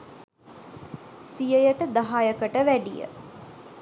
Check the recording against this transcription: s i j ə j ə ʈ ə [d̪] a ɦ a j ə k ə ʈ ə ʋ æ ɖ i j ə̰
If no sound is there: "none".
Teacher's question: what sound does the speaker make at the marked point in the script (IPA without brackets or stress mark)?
d̪